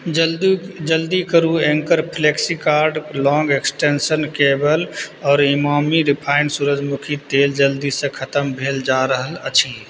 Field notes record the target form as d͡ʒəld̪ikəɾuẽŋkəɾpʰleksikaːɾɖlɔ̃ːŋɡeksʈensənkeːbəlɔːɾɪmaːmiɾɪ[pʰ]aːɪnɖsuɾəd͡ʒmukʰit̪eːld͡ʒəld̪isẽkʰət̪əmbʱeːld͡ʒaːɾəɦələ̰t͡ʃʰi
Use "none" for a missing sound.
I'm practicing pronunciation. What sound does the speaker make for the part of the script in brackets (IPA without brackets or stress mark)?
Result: pʰ